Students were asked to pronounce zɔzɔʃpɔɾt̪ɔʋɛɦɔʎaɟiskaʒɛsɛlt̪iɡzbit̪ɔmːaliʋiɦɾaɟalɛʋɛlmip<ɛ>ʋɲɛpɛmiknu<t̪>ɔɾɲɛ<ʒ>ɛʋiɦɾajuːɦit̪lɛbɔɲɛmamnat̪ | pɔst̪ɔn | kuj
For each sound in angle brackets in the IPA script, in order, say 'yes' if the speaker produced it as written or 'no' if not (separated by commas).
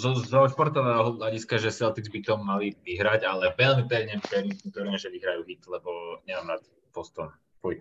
yes, yes, yes